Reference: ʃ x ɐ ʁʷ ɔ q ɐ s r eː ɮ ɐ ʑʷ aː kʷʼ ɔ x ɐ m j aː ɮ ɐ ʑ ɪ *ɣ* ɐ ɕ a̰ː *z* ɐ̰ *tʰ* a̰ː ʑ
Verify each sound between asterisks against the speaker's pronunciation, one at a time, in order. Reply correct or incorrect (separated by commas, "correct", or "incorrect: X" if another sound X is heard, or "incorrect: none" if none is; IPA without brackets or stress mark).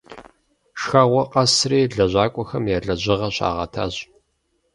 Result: incorrect: ʁ, incorrect: ʁ, correct